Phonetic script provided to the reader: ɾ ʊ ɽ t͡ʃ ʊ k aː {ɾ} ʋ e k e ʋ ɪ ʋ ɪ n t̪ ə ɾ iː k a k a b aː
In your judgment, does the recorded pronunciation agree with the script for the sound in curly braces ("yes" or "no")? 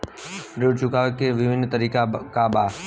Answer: no